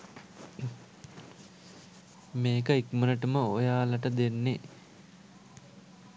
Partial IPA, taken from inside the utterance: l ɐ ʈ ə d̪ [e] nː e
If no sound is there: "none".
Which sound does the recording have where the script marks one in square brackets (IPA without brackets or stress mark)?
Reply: e